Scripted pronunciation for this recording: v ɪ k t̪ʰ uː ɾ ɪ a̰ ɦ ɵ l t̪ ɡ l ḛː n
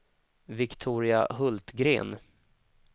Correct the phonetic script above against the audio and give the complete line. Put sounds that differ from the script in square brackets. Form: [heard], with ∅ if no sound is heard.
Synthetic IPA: v ɪ k t̪ʰ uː ɾ ɪ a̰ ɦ ɵ l t̪ ɡ [ɾ] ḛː n